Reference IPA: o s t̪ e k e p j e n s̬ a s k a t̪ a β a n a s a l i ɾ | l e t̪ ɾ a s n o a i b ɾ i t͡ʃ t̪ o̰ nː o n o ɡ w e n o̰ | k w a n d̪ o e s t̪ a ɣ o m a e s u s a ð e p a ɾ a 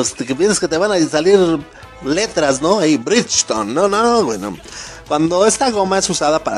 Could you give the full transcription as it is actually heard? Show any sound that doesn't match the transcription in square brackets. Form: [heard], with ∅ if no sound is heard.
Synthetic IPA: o s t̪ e k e p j e n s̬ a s k [e] t̪ [e] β a n a s a l i ɾ | l e t̪ ɾ a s n o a i b ɾ i t͡ʃ t̪ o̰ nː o n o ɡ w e n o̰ | k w a n d̪ o e s t̪ a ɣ o m a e s u s a ð [a] p a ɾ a